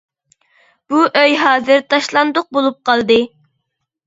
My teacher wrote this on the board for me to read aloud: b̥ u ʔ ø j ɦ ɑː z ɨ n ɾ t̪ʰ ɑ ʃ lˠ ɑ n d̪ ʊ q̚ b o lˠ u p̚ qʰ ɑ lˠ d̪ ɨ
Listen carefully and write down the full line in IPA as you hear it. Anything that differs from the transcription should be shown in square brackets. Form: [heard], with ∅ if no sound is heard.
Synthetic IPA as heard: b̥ u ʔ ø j ɦ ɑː z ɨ [∅] ɾ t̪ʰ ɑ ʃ lˠ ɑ n d̪ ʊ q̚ b o lˠ u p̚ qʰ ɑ lˠ d̪ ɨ